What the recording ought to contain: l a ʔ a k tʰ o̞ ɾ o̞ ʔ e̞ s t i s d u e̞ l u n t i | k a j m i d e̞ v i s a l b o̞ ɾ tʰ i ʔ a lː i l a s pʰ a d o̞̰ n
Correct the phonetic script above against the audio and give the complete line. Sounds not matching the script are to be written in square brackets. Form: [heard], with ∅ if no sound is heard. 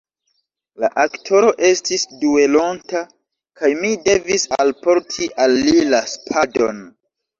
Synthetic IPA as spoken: l a ʔ a k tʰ o̞ ɾ o̞ ʔ e̞ s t i s d u e̞ l [o] n t [a] | k a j m i d e̞ v i s a l [p] o̞ ɾ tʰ i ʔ a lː i l a s pʰ a d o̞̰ n